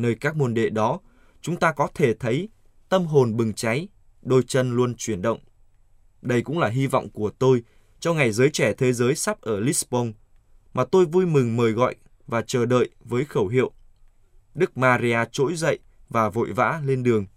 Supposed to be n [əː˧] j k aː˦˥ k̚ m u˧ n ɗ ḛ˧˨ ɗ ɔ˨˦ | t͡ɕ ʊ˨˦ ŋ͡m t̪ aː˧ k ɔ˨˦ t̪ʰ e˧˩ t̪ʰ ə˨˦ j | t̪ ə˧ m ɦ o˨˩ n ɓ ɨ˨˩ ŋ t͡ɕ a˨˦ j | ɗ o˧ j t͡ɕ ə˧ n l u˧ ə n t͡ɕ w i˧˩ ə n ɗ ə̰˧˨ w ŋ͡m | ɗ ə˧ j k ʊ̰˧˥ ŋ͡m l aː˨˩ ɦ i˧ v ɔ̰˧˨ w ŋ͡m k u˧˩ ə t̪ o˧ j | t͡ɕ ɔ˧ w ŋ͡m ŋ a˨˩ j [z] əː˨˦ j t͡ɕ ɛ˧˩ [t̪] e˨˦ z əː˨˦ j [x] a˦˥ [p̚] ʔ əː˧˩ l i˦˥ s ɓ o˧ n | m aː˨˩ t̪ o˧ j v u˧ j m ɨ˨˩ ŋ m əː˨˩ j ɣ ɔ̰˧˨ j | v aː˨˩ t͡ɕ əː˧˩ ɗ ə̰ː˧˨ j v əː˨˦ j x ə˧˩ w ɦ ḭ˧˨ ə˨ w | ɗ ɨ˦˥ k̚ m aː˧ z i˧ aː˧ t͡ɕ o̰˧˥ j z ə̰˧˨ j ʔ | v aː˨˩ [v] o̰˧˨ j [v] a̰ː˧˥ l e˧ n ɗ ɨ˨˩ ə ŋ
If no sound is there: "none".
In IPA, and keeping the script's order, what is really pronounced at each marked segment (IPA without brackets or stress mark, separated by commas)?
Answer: əː˧, z, t̪ʰ, s, p̚, v, v